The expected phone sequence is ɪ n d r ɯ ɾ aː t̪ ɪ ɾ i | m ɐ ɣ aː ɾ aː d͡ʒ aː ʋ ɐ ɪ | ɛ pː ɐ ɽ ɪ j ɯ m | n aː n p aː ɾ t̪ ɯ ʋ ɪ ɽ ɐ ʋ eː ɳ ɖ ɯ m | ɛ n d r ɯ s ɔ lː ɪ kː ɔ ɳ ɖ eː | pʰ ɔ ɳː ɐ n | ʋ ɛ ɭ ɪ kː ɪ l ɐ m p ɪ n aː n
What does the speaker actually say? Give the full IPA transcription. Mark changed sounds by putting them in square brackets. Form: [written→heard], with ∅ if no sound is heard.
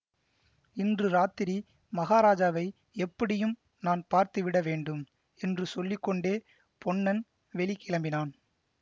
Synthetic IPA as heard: ɪ n d r ɯ ɾ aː t̪ ɪ ɾ i | m ɐ ɣ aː ɾ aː d͡ʒ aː ʋ ɐ ɪ | ɛ pː ɐ ɽ ɪ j ɯ m | n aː n p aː ɾ t̪ ɯ ʋ ɪ ɽ ɐ ʋ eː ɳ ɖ ɯ m | ɛ n d r ɯ s ɔ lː ɪ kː ɔ ɳ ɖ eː | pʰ ɔ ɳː ɐ n | ʋ ɛ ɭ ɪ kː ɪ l ɐ m [p→b] ɪ n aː n